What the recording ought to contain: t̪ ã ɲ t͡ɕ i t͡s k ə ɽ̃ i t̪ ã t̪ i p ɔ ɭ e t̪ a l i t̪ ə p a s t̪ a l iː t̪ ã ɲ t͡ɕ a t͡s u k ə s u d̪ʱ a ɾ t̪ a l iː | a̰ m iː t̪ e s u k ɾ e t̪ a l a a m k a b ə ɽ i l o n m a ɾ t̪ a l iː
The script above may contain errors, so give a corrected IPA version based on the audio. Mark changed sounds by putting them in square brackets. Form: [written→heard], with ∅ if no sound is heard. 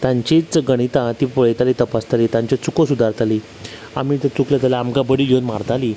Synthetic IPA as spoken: t̪ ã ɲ t͡ɕ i t͡s [k→ɡ] ə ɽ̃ i t̪ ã t̪ i p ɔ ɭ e t̪ a l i t̪ ə p a s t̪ a l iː t̪ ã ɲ t͡ɕ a t͡s u k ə s u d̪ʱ a ɾ t̪ a l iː | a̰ m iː t̪ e [s→t͡s] u k [ɾ→l] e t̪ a l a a m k a b ə ɽ i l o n m a ɾ t̪ a l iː